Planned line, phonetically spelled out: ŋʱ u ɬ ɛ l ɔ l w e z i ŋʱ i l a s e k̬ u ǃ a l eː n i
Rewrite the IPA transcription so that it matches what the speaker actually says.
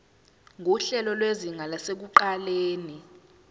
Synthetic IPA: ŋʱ u ɬ ɛ l ɔ l w e z i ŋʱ a l a s e k̬ u ǃ a l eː n i